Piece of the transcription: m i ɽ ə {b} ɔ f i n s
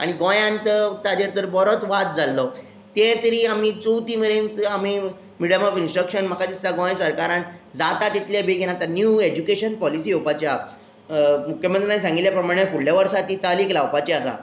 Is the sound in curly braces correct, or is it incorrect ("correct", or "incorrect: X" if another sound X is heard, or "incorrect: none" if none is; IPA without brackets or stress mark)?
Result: incorrect: m